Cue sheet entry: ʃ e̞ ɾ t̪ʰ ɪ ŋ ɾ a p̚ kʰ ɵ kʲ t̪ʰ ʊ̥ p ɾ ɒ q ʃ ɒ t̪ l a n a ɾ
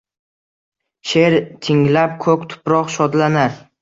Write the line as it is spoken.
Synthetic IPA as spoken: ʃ e̞ ɾ t̪ʰ ɪ ŋ l a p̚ kʰ ɵ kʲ t̪ʰ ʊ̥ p ɾ ɒ q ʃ ɒ d̪ l a n a ɾ

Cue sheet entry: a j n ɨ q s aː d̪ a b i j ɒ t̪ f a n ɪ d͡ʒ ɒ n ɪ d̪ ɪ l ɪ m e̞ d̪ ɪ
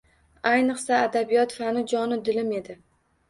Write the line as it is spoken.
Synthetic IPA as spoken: a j n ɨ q s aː d̪ a b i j ɒ t̪ f a n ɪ d͡ʒ ɒ n ɪ d̪ ɪ l ɪ m e̞ d̪ ɪ

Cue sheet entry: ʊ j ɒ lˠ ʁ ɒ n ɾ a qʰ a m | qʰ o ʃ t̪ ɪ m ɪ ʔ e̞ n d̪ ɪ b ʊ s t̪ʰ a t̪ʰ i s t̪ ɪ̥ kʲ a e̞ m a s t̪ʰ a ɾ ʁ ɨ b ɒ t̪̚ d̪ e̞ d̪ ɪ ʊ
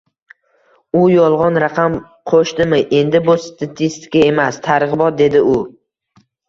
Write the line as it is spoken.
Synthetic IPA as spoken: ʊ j ɒ lˠ ʁ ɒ n ɾ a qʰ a m | qʰ o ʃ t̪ ɪ m ɪ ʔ e̞ n d̪ ɪ b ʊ s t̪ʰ a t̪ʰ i s t̪ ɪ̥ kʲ a e̞ m a s t̪ʰ a ɾ ʁ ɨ b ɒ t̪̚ d̪ e̞ d̪ ɪ ʊ

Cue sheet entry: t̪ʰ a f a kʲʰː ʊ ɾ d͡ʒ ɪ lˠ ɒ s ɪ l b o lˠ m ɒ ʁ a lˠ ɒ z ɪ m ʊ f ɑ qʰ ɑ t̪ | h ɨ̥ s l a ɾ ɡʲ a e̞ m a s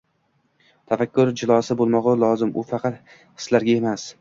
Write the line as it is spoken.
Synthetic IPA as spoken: t̪ʰ a f a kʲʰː ʊ ɾ d͡ʒ ɪ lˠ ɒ s ɪ b o lˠ m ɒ ʁ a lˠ ɒ z ɪ m ʊ f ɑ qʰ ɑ t̪ | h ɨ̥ s l a ɾ ɡʲ a e̞ m a s

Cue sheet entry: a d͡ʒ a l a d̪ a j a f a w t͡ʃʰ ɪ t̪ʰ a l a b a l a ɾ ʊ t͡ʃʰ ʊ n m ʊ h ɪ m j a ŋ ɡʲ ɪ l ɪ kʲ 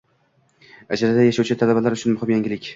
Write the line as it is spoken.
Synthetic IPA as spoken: a d͡ʒ a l a d̪ a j a ʃ a w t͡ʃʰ ɪ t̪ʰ a l a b a l a ɾ ʊ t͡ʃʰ ʊ n m ʊ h ɪ m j a ŋ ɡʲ ɪ l ɪ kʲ

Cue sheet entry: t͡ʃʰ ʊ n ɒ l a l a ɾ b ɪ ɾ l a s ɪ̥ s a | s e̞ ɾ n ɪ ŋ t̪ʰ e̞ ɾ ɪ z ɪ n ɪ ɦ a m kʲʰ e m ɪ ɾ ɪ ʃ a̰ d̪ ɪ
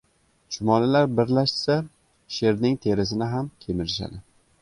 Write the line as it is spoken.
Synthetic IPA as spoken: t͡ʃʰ ʊ m ɒ l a l a ɾ b ɪ ɾ l a ʃ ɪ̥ s a | ʃ e̞ ɾ n ɪ ŋ t̪ʰ e̞ ɾ ɪ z ɪ n ɪ ɦ a m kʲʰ e m ɪ ɾ ɪ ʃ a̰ d̪ ɪ

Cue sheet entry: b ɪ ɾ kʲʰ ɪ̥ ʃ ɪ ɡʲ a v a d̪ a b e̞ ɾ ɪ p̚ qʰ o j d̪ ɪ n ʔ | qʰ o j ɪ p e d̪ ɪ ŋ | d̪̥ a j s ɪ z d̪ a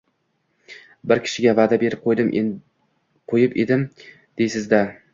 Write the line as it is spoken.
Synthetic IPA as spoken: b ɪ ɾ kʲʰ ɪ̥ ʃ ɪ ɡʲ a v a d̪ a b e̞ ɾ ɪ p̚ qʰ o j d̪ ɪ m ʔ | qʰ o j ɪ p e d̪ ɪ m | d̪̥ e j s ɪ z d̪ a

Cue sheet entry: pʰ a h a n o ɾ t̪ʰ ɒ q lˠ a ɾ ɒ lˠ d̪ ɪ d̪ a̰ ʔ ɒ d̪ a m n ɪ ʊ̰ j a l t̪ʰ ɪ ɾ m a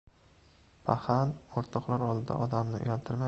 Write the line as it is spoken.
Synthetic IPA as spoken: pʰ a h a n o ɾ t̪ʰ ɒ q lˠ a ɾ ɒ lˠ d̪ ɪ d̪ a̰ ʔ ɒ d̪ a m n ɪ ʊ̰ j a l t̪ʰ ɪ ɾ m a

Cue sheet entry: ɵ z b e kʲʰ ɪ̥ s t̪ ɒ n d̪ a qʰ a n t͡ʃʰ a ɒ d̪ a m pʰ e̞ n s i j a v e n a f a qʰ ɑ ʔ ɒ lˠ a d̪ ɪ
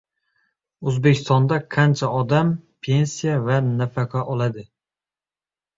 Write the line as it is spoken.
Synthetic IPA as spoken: ɵ z b e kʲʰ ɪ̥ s t̪ ɒ n d̪ a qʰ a n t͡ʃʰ a ɒ d̪ a m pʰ e̞ n s i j a v a n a f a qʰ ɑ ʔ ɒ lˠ a d̪ ɪ

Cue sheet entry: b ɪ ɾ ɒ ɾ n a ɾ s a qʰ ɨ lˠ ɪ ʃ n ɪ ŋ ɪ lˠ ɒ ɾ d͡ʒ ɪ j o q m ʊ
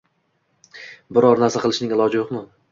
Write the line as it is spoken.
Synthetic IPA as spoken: b ɪ ɾ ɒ ɾ n a ɾ s a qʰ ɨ lˠ ɪ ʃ n ɪ ŋ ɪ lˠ ɒ d͡ʒ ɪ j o q m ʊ

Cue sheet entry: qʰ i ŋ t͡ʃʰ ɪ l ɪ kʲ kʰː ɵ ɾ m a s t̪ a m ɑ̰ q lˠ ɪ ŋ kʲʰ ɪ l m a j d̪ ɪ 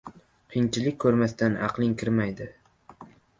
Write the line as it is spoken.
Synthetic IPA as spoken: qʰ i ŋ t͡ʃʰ ɪ l ɪ kʲ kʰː ɵ ɾ m a s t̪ a n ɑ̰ q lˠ ɪ ŋ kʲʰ ɪ ɾ m a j d̪ ɪ

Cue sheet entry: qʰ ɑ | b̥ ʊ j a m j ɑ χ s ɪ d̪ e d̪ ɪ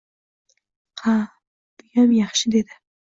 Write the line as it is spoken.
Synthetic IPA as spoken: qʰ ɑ | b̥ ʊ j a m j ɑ χ ʃ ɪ d̪ e d̪ ɪ

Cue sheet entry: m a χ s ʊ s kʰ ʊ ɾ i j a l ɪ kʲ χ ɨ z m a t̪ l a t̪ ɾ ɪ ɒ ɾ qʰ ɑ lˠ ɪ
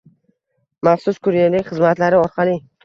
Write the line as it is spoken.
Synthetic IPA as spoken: m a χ s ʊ s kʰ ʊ ɾ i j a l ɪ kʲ χ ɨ z m a t̪ l a ɾ ɪ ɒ ɾ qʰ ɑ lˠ ɪ

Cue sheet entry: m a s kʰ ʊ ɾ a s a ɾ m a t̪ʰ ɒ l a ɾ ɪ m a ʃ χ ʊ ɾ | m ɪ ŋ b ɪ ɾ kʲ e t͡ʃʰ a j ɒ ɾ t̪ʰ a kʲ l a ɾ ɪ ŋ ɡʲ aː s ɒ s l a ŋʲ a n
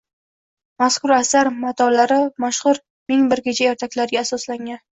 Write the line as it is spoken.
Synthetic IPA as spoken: m a s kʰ ʊ ɾ a s a ɾ m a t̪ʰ ɒ l a ɾ ɪ m a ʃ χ ʊ ɾ | m ɪ ŋ b ɪ ɾ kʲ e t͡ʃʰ a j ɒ ɾ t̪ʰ a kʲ l a ɾ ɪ ɡʲ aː s ɒ s l a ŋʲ a n

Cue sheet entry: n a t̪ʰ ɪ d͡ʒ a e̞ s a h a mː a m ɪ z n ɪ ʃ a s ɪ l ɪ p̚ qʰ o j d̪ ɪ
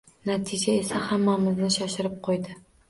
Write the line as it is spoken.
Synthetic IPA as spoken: n a t̪ʰ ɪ d͡ʒ a e̞ s a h a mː a m ɪ z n ɪ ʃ a ʃ ɪ ɾ ɪ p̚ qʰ o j d̪ ɪ

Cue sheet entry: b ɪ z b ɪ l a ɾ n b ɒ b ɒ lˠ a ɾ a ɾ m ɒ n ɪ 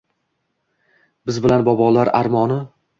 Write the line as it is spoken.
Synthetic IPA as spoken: b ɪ z b ɪ l a n b ɒ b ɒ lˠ a ɾ a ɾ m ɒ n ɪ

